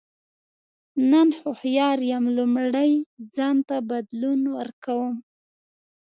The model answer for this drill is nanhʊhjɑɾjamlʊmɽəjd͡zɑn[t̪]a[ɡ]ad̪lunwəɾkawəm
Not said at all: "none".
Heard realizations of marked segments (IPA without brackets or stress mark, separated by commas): t̪, b